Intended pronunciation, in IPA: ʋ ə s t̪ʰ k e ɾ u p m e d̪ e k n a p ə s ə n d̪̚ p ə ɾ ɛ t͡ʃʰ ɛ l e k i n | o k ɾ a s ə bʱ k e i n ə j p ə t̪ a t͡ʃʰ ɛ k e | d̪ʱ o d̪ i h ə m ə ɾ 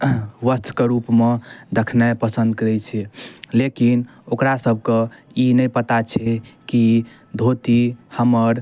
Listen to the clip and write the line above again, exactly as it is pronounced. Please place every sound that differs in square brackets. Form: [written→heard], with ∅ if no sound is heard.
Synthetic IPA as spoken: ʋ ə s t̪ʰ k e ɾ u p m e d̪ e [k→kʰ] n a p ə s ə n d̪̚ [p→k] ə ɾ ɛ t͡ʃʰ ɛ l e k i n | o k ɾ a s ə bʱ k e i n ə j p ə t̪ a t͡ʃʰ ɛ k [e→i] | d̪ʱ o [d̪→t̪] i h ə m ə ɾ